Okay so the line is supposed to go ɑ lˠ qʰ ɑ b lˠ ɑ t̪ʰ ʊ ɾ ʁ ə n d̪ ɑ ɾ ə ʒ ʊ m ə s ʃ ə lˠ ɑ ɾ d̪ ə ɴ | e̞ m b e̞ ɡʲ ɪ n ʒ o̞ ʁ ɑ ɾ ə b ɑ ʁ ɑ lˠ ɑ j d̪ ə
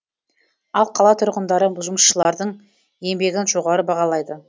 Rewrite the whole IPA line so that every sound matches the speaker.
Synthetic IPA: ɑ lˠ qʰ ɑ lˠ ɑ t̪ʰ ʊ ɾ ʁ ə n d̪ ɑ ɾ ə ʒ ʊ m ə s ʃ ə lˠ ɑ ɾ d̪ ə ɴ | e̞ m b e̞ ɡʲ ɪ n ʒ o̞ ʁ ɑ ɾ ə b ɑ ʁ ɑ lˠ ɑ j d̪ ə